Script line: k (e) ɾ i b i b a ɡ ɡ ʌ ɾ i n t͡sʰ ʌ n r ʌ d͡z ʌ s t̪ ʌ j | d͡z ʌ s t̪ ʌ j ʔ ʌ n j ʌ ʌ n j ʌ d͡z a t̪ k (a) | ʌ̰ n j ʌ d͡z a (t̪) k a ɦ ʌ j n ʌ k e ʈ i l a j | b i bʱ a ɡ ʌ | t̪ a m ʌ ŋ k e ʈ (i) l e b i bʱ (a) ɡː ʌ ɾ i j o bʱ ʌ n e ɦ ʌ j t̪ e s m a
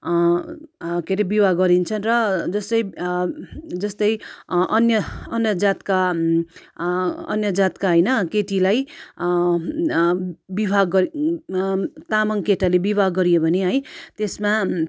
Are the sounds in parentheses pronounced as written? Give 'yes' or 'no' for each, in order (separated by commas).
yes, yes, yes, no, yes